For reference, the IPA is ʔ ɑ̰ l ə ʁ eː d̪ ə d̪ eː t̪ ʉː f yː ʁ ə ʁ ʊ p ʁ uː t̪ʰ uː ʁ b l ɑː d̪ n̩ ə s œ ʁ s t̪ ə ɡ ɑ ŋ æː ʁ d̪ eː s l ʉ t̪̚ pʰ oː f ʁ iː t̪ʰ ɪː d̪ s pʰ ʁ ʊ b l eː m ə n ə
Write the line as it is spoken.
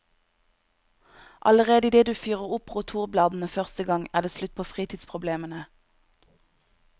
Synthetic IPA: ʔ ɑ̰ l ə ʁ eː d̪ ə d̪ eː d̪ ʉː f yː ʁ ə ʁ ʊ p ʁ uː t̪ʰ uː ʁ b l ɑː d̪ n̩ ə f œ ʁ s t̪ ə ɡ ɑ ŋ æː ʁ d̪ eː s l ʉ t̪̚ pʰ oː f ʁ iː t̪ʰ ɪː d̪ s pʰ ʁ ʊ b l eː m ə n ə